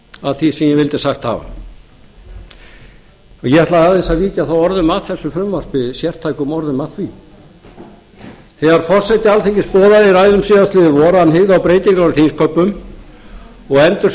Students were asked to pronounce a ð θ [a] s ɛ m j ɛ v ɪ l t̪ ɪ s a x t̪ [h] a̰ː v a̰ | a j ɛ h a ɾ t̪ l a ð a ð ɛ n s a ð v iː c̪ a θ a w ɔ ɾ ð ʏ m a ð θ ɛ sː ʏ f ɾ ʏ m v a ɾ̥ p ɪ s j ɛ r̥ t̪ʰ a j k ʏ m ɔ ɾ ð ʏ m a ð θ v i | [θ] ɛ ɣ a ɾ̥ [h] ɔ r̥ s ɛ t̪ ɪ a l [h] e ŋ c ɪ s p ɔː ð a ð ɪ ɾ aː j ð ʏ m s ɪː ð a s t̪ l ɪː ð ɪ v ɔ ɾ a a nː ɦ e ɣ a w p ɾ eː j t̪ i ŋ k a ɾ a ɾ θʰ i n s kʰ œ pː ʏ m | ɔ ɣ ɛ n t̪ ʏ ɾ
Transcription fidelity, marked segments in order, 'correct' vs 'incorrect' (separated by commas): incorrect, correct, correct, incorrect, incorrect